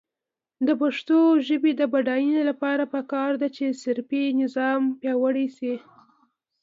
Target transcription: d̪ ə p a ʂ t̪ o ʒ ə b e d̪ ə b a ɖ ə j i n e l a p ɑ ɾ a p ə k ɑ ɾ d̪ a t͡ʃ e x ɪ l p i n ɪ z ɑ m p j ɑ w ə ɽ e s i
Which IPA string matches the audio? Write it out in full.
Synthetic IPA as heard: d̪ ə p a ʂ t̪ o ʒ ə b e d̪ ə b a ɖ ɑ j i n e l a p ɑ ɾ a p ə k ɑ ɾ d̪ a t͡ʃ e s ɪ ɾ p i n ɪ z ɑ m p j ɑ w ə ɽ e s i